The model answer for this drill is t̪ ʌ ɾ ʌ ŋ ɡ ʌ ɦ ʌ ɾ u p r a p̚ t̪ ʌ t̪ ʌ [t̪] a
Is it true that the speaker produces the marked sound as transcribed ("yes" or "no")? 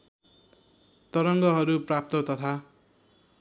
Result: no